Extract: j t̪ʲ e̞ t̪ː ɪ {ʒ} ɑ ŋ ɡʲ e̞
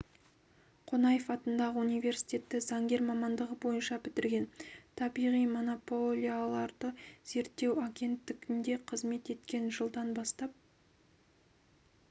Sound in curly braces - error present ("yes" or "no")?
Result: yes